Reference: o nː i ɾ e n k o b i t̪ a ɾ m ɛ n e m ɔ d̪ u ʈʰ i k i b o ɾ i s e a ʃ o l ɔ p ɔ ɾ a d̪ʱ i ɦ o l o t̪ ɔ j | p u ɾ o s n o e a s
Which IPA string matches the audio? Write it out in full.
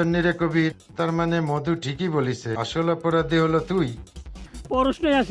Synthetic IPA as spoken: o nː i ɾ e k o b i t̪ a ɾ m a n e m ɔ d̪ u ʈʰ i k i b o l i s e a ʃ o l ɔ p ɔ ɾ a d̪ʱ i ɦ o l o t̪ u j | p ɔ ɾ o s n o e a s